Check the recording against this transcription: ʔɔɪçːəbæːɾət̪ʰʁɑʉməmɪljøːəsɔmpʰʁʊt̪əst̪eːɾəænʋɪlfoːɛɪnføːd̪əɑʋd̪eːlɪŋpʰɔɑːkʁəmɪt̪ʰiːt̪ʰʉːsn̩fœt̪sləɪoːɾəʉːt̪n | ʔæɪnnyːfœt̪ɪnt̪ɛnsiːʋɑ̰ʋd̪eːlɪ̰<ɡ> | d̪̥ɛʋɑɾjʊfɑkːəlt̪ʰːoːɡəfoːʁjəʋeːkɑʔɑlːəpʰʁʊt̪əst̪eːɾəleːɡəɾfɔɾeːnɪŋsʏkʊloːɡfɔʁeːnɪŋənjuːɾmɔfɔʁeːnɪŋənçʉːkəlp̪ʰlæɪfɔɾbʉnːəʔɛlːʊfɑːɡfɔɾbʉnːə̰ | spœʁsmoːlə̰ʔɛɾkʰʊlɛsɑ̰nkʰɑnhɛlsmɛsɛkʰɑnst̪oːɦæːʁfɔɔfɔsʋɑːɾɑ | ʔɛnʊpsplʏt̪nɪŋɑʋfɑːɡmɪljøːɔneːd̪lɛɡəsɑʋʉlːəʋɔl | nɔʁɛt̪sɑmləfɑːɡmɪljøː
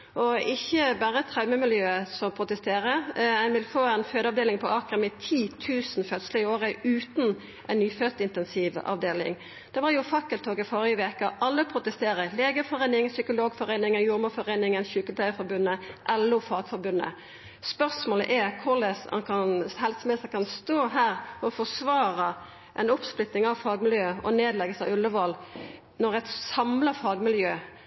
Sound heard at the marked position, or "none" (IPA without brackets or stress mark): ŋ